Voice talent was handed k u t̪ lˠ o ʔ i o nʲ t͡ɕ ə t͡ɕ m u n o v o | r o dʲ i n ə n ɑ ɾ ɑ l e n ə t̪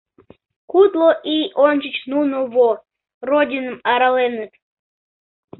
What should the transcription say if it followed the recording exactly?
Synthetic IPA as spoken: k u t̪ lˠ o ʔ i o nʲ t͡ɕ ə t͡ɕ n u n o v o | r o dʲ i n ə m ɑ ɾ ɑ l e n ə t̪